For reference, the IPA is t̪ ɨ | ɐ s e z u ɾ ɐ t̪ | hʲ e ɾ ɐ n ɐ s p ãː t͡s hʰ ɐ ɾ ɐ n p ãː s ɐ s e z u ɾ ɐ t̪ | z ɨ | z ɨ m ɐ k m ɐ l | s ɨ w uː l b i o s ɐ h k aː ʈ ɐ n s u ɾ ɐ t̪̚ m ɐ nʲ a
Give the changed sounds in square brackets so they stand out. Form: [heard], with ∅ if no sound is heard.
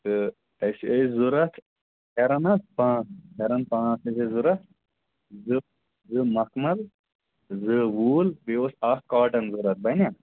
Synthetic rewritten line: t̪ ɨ | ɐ s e z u ɾ ɐ t̪ | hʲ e ɾ ɐ n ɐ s p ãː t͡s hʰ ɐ ɾ ɐ n p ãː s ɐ s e z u ɾ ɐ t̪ | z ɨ | z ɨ m ɐ k m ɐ l | [z] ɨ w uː l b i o s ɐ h k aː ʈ ɐ n [z] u ɾ ɐ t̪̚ [b] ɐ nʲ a